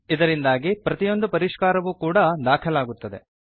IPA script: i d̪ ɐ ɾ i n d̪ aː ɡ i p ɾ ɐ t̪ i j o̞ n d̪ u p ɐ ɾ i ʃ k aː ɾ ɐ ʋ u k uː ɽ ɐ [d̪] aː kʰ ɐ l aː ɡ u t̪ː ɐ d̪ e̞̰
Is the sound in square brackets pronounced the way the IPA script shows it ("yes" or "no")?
yes